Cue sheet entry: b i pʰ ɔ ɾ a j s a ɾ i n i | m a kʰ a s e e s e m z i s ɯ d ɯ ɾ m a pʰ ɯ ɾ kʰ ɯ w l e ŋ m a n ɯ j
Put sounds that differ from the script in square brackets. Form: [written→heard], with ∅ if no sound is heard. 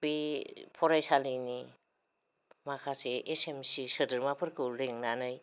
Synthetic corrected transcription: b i pʰ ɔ ɾ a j s a [ɾ→l] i n i | m a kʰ a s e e s e m [z→s] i s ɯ d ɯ ɾ m a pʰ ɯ ɾ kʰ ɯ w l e ŋ [m→n] a n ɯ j